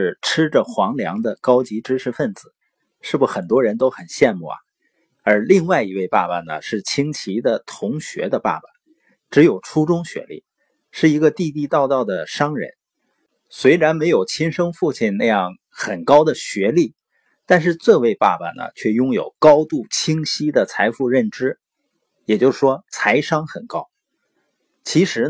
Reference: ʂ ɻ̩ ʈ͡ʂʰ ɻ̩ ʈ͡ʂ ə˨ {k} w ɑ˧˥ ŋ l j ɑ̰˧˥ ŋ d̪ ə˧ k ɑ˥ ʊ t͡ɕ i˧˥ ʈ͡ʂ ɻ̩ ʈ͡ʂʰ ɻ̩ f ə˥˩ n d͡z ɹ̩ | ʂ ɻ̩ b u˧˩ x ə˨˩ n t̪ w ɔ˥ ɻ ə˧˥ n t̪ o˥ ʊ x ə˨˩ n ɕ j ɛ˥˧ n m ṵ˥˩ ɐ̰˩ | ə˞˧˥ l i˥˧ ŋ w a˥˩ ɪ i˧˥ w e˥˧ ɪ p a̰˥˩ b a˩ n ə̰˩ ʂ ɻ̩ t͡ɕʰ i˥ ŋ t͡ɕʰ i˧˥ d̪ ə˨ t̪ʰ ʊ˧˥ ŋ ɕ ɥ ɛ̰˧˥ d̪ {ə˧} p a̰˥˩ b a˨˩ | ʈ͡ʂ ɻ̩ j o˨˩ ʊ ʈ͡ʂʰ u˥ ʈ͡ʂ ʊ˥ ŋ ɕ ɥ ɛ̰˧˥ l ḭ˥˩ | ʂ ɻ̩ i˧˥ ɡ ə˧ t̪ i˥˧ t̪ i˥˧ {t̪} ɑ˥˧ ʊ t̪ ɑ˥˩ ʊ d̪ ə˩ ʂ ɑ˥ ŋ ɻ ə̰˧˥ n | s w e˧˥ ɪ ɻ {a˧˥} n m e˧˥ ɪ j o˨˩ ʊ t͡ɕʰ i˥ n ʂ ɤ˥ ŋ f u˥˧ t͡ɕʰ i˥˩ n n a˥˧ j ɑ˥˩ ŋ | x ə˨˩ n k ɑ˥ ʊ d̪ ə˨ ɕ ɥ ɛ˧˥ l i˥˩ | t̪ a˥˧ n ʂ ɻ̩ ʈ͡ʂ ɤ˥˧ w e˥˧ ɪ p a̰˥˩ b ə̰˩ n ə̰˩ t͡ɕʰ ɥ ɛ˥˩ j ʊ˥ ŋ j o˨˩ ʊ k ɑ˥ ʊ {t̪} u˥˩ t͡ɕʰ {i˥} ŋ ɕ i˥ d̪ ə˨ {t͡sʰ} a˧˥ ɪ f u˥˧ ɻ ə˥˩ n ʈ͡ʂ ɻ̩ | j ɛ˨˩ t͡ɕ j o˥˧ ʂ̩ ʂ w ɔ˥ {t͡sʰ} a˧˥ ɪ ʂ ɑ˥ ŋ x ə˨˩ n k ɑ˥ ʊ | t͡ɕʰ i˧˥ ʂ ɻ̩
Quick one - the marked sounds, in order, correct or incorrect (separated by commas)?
incorrect, correct, correct, correct, correct, correct, correct, correct